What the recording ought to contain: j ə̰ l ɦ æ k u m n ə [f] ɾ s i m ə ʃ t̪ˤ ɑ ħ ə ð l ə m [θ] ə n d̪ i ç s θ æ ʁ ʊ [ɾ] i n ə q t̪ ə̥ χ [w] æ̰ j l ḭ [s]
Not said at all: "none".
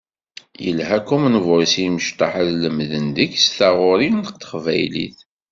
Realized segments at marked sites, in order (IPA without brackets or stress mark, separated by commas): v, ð, ɾ, v, θ